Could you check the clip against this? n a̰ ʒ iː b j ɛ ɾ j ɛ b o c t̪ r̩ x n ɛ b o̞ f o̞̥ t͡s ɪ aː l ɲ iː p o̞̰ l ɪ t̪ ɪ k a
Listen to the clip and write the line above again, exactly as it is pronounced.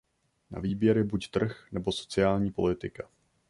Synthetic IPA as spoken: n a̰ v iː b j ɛ ɾ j ɛ b u c t̪ r̩ x n ɛ b o̞ s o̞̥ t͡s ɪ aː l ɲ iː p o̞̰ l ɪ t̪ ɪ k a